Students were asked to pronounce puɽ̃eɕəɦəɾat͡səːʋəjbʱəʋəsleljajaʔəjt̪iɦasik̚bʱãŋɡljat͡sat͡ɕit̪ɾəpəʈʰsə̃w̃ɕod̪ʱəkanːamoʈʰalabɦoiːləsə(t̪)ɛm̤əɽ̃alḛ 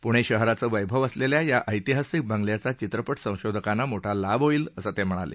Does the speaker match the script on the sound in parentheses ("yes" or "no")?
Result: yes